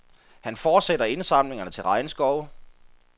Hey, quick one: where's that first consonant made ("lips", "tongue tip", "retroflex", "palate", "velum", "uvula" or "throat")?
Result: throat